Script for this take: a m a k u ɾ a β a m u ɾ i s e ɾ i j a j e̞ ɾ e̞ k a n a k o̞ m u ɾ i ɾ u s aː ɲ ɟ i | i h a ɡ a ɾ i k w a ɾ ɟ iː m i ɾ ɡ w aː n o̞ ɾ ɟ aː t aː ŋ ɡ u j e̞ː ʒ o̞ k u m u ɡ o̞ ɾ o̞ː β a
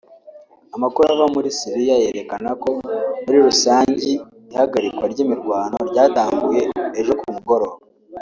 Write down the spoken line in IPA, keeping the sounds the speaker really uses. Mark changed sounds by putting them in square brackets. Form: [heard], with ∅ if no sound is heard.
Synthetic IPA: a m a k u ɾ a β a m u ɾ i s [i] ɾ i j a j e̞ ɾ e̞ k a n a k o̞ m u ɾ i ɾ u s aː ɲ ɟ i | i h a ɡ a ɾ i k w a ɾ ɟ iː m i ɾ ɡ w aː n o̞ ɾ ɟ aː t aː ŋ ɡ u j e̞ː ʒ o̞ k u m u ɡ o̞ ɾ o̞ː β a